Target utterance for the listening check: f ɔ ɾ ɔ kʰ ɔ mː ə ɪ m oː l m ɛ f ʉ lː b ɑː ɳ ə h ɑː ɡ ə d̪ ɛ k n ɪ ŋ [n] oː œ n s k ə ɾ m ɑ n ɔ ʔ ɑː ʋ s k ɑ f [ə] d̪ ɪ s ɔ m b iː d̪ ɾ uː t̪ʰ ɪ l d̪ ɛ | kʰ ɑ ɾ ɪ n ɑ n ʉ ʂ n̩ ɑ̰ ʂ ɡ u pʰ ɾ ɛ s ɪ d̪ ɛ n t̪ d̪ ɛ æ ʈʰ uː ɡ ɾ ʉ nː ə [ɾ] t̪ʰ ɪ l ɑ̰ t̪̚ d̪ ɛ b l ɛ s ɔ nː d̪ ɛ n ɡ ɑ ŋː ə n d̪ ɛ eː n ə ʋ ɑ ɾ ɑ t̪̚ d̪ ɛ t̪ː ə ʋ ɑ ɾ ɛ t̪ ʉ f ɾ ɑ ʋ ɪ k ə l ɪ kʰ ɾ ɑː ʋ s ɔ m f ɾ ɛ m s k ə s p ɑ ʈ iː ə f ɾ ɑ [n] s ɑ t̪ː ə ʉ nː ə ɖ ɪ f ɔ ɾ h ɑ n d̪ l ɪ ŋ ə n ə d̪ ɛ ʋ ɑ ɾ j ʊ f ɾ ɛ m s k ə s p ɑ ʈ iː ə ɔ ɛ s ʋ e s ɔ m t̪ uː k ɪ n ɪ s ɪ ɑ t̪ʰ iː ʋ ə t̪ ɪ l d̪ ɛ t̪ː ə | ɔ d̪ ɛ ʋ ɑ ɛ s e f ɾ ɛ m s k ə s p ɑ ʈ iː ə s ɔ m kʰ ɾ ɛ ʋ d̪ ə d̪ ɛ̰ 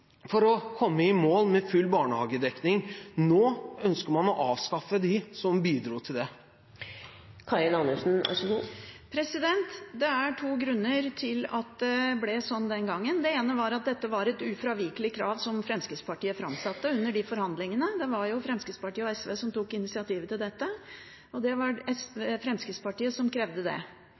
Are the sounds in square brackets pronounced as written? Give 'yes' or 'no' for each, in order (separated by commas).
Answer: yes, yes, yes, no